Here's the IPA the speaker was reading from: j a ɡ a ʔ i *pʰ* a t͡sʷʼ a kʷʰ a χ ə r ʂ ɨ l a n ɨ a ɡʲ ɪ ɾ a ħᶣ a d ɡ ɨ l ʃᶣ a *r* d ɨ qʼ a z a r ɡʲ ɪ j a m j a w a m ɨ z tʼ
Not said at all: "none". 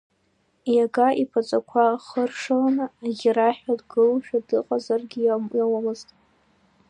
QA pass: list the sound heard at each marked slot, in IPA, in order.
pʰ, none

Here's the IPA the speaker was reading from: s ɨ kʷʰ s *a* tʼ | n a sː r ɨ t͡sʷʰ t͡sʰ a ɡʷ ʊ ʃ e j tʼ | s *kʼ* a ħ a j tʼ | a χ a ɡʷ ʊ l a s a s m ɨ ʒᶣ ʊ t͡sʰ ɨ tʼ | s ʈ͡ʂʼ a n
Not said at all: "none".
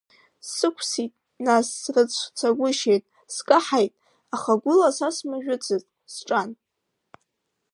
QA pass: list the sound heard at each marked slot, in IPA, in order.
i, kʼ

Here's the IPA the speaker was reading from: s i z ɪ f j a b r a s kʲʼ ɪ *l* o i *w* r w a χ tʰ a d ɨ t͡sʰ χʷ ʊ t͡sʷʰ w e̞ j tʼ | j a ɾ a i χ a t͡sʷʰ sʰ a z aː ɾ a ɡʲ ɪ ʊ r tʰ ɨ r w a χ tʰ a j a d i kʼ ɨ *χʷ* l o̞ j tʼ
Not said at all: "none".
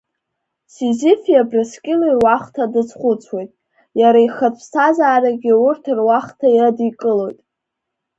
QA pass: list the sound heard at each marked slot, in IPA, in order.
l, none, none

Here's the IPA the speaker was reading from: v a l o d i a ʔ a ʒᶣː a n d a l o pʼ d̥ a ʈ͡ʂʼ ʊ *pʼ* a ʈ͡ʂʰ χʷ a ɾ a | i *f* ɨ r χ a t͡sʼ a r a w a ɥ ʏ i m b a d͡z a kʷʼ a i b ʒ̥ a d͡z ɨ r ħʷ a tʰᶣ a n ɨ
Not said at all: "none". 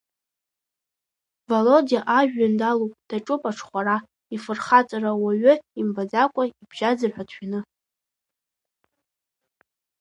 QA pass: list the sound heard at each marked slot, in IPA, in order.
pʼ, f

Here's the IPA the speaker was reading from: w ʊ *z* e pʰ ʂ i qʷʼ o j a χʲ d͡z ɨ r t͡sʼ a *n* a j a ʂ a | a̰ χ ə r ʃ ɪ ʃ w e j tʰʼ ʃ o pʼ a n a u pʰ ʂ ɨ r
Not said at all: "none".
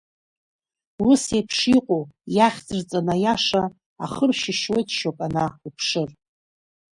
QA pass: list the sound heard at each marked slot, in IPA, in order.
s, n

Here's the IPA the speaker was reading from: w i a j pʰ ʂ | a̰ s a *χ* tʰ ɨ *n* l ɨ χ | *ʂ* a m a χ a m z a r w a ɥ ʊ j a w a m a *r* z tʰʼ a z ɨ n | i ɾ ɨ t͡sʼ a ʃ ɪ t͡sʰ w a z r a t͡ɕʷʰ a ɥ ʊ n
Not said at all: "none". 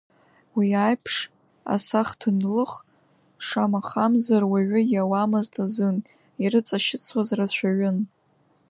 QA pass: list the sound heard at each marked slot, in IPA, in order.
χ, n, ʂ, none

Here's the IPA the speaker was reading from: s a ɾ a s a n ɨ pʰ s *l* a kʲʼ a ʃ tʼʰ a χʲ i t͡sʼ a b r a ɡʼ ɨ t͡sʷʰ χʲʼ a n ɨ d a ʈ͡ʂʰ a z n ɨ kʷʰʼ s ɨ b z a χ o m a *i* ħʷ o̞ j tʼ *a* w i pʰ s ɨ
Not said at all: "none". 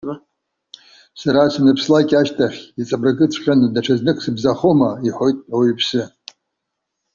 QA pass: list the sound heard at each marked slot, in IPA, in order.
l, i, a

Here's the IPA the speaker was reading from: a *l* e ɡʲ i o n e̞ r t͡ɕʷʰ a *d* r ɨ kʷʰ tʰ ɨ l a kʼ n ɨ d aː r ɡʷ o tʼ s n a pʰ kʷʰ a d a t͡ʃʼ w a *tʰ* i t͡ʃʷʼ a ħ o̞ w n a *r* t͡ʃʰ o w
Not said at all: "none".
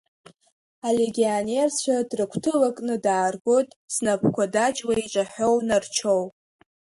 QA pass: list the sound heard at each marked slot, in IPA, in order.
l, d, none, r

